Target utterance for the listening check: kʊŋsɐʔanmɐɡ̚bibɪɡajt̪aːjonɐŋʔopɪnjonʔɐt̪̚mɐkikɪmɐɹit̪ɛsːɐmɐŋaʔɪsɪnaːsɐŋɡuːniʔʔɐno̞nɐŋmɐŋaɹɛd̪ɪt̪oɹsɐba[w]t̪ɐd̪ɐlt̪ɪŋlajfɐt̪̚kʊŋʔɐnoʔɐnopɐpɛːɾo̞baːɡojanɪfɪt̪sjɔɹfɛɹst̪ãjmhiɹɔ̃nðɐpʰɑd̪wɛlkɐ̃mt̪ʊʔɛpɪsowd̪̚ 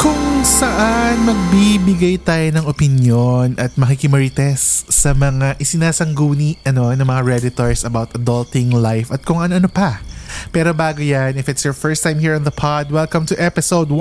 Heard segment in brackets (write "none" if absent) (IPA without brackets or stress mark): w